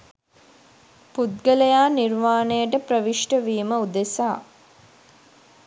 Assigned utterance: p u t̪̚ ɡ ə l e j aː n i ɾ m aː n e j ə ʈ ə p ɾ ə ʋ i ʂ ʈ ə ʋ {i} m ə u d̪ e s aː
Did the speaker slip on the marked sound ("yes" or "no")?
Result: yes